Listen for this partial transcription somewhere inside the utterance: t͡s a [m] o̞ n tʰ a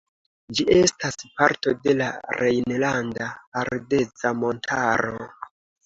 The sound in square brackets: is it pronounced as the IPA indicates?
yes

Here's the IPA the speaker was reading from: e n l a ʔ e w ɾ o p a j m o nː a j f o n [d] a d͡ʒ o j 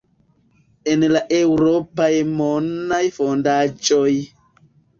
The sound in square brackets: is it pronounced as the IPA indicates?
yes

